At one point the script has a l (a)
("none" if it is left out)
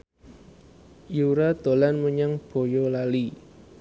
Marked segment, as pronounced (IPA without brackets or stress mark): i